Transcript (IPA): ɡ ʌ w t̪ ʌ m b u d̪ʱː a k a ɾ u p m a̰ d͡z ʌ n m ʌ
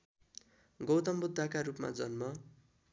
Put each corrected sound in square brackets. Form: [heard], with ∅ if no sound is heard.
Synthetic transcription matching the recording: ɡ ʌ w t̪ ʌ m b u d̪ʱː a k a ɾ u p m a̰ d͡z ʌ n m ʌ